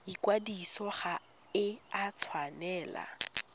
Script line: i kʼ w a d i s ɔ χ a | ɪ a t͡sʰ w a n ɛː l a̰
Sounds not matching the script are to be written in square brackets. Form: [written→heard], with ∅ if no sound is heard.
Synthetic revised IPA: i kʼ w a d i s ɔ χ a | ɪ a t͡sʰ w a n ɛː l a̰